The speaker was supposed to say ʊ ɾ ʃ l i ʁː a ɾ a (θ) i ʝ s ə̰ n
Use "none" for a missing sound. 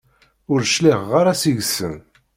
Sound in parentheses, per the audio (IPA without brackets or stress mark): s